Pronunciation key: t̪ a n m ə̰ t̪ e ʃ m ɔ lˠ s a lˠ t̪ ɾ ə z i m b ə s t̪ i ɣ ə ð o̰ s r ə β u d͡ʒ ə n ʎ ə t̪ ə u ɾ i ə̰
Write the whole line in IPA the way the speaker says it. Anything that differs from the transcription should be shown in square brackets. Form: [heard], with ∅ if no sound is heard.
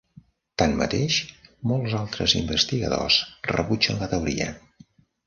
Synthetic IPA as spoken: t̪ a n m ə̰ t̪ e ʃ m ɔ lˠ [z] a lˠ t̪ ɾ ə z i m b ə s t̪ i ɣ ə ð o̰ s r ə β u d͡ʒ ə n [l] ə t̪ ə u ɾ i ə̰